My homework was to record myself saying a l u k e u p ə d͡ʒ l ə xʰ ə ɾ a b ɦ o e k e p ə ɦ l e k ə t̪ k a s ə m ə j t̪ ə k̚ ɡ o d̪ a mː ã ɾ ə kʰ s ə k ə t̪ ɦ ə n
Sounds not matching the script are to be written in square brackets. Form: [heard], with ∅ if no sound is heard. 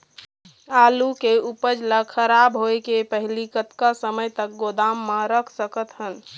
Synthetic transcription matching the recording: a l u k e u p ə d͡ʒ l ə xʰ ə ɾ a b ɦ o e k e p ə ɦ l [i] k ə t̪ k a s ə m ə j t̪ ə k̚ ɡ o d̪ a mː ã ɾ ə kʰ s ə k ə t̪ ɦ ə n